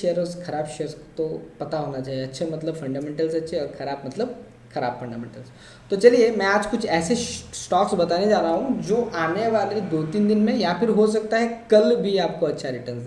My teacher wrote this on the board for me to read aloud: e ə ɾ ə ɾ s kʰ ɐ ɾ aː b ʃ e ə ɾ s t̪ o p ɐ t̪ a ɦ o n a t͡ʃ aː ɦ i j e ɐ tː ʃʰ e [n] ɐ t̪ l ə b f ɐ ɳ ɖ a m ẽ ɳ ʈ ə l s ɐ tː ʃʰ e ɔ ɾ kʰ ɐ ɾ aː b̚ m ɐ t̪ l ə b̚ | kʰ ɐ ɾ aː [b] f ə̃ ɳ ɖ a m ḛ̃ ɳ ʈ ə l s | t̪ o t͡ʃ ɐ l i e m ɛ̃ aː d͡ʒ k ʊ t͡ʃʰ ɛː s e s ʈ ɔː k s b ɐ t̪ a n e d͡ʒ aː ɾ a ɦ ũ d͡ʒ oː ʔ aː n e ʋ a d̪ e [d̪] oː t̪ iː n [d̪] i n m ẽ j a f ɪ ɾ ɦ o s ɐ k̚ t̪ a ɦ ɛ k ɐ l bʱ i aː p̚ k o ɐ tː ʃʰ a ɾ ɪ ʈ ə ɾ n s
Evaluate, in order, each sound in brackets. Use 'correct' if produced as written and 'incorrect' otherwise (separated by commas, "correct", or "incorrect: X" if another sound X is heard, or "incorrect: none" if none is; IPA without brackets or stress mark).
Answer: incorrect: m, correct, correct, correct